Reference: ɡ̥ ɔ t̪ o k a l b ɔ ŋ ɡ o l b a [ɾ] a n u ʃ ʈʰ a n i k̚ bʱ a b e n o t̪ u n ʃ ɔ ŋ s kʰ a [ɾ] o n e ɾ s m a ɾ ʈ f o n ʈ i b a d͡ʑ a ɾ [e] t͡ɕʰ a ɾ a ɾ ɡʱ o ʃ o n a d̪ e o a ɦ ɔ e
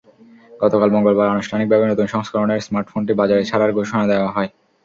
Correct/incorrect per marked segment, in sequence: correct, correct, correct

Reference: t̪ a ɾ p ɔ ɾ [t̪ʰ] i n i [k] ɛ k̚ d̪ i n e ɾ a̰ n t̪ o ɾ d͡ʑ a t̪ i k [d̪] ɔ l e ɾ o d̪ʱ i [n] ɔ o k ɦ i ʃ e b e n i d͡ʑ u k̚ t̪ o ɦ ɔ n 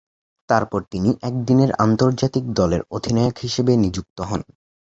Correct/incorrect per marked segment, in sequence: incorrect, incorrect, correct, correct

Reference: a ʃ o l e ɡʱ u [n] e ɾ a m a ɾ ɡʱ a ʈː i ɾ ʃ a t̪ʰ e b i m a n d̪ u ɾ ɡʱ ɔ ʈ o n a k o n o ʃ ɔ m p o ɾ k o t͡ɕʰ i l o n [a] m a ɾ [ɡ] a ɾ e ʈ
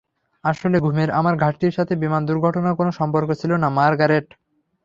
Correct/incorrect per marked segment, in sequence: incorrect, correct, correct

